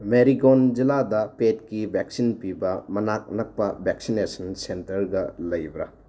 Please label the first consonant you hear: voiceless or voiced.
voiced